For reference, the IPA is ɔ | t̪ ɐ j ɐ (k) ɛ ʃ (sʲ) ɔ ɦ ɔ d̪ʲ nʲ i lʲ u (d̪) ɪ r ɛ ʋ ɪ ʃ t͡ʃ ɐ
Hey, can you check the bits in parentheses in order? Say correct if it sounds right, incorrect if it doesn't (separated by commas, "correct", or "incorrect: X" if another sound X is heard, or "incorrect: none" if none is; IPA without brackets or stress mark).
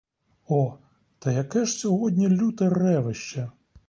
correct, correct, incorrect: t̪